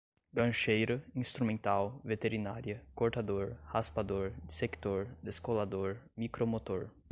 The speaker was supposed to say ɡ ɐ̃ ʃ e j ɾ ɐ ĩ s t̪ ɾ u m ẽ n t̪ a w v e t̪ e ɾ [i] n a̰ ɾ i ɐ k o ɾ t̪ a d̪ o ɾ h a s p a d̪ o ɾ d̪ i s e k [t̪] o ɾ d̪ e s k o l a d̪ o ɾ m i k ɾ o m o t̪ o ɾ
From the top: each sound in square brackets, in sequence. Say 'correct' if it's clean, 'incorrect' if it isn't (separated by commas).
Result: correct, correct